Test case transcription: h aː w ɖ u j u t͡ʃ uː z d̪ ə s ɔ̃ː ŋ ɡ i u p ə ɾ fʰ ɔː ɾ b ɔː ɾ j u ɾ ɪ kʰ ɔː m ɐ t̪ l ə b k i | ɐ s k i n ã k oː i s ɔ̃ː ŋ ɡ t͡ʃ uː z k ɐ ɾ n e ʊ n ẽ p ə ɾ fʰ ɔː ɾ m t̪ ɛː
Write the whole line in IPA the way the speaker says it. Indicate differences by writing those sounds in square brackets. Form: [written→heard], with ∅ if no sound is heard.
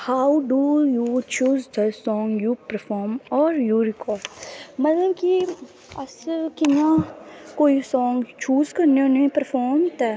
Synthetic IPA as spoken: h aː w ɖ u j u t͡ʃ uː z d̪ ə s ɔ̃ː ŋ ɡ [i→j] u p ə ɾ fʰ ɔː ɾ [b→m] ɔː ɾ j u ɾ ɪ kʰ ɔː m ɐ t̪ l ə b k i | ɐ s k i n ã k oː i s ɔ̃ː ŋ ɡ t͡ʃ uː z k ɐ ɾ n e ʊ n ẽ p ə ɾ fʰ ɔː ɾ m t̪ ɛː